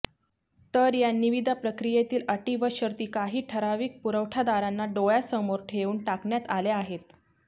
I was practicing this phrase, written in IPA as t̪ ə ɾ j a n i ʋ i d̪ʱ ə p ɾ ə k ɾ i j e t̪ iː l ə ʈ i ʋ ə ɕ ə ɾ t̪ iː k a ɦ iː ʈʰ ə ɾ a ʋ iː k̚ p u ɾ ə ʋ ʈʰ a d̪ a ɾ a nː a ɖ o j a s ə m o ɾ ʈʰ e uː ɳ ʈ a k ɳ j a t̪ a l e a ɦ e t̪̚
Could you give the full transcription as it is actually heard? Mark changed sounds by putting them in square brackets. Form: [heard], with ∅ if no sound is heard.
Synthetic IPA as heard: t̪ ə ɾ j a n i ʋ i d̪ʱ [a] p ɾ ə k ɾ i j e t̪ iː l ə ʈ i ʋ ə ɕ ə ɾ t̪ iː k a ɦ iː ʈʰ ə ɾ a ʋ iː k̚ p u ɾ ə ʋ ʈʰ a d̪ a ɾ a nː a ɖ o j a s ə m o ɾ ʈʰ e uː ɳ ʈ a k ɳ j a t̪ a l e a ɦ e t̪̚